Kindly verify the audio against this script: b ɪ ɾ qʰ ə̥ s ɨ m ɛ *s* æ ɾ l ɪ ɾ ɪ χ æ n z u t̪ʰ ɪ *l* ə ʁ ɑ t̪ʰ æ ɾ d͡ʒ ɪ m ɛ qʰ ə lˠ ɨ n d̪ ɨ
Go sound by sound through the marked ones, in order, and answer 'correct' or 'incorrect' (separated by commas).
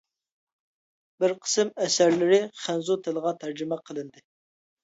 correct, correct